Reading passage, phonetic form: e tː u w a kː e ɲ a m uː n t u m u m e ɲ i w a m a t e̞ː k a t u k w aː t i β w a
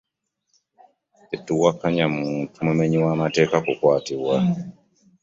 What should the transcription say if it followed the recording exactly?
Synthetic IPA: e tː u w a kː a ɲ a m uː n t u m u m e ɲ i w a m a t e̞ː k a k u k w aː t i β w a